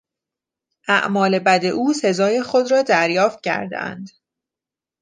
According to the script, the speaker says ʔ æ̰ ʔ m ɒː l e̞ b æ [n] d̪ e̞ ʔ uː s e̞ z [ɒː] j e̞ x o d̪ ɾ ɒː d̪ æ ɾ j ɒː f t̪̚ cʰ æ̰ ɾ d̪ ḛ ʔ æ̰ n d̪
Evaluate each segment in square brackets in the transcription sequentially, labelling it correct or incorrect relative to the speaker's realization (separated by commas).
incorrect, correct